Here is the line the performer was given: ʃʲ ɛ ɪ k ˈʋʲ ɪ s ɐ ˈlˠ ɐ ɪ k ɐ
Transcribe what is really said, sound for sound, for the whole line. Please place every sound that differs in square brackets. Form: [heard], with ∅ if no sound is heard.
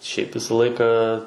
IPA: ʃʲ ɛ ɪ [p] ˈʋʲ ɪ s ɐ ˈlˠ ɐ ɪ k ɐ